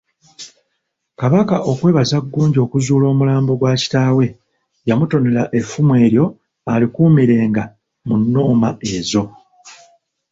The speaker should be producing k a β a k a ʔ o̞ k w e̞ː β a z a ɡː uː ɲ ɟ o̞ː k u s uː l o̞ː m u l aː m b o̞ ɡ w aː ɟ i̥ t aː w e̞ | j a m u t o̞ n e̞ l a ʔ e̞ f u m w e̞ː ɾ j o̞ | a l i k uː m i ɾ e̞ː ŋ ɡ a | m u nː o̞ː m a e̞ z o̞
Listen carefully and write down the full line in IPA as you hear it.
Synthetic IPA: k a β a k a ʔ o̞ k w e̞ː β a z a ɡː uː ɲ ɟ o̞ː k u z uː l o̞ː m u l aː m b o̞ ɡ w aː c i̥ t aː w e̞ | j a m u t o̞ n e̞ l a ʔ e̞ f u m w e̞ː ɾ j o̞ | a l i k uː m i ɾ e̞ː ŋ ɡ a | m u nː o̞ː m a e̞ z o̞